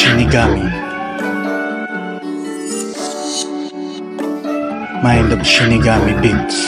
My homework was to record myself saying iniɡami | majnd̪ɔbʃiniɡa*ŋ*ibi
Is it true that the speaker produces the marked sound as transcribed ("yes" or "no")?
no